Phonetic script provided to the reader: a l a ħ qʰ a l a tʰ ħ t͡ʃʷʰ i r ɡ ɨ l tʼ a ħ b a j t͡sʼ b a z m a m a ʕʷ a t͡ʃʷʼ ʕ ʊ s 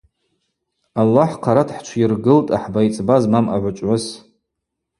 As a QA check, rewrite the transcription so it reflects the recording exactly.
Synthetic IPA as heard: a lː a ħ qʰ a ɾ a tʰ ħ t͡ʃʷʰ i r ɡ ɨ l tʼ a ħ b a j t͡sʼ b a z m a m a ʕʷ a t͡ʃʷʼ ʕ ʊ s